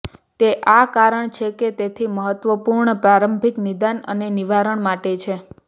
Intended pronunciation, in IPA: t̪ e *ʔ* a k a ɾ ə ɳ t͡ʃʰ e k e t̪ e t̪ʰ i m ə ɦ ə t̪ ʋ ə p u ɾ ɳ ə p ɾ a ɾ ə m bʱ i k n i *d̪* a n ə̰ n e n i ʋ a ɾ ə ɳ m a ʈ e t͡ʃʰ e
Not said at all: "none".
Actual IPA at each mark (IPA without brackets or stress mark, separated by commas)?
ʔ, d̪